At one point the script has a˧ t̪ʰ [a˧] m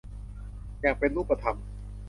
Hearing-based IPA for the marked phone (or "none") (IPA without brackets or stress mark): a˧